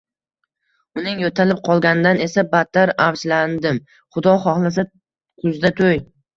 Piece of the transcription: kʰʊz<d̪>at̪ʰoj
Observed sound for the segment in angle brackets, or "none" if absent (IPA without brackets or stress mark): d̪